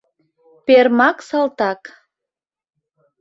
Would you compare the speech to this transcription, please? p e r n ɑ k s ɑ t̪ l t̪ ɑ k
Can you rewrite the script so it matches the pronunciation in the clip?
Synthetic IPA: p e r m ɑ k s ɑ l t̪ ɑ k

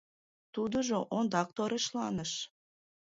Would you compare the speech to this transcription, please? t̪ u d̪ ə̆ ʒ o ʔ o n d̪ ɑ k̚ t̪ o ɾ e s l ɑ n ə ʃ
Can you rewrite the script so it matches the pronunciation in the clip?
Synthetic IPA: t̪ u d̪ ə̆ ʒ o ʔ o n d̪ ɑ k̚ t̪ o ɾ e ʃ l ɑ n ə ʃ

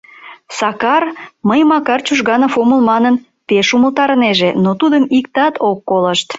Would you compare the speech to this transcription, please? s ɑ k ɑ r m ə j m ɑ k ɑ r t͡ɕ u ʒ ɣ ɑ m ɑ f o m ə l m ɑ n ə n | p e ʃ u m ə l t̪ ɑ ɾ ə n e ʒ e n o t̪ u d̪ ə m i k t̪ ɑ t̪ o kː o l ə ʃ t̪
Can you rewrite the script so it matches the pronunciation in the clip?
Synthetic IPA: s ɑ k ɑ r m ə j m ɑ k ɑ r t͡ɕ u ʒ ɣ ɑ n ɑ f o m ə l m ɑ n ə n | p e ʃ u m ə l t̪ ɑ ɾ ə n e ʒ e n o t̪ u d̪ ə m i k t̪ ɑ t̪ o kː o l ə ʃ t̪

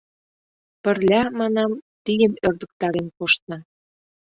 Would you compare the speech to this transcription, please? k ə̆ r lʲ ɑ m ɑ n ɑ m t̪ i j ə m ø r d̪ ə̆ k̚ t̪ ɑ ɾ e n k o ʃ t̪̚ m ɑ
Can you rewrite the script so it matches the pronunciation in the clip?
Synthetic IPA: p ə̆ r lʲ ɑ m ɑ n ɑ m t̪ i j ə m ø r d̪ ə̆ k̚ t̪ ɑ ɾ e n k o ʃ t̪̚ n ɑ

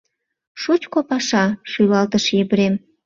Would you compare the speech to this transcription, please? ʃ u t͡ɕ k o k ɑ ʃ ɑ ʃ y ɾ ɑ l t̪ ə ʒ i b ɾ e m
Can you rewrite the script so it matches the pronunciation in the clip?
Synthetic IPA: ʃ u t͡ɕ k o p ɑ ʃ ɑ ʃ y l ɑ l t̪ ə ʃ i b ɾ e m

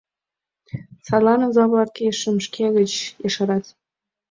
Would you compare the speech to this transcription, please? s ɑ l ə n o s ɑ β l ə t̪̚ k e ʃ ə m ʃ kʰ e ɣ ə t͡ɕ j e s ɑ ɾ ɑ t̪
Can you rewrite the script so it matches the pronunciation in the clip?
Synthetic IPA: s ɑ l ɑ n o z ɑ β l ɑ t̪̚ k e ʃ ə m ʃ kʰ e ɣ ə t͡ɕ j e ʃ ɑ ɾ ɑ t̪

